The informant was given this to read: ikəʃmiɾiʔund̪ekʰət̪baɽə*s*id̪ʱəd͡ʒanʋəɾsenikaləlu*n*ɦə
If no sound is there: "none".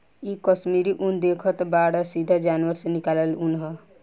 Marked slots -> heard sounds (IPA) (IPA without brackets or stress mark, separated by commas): s, n